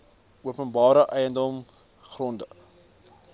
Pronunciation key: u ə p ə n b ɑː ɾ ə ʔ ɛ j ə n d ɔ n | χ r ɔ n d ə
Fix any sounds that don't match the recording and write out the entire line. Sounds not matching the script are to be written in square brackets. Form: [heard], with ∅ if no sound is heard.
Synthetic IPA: u ə p ə n b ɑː ɾ ə ʔ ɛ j ə n d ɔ [m] | χ r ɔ n d ə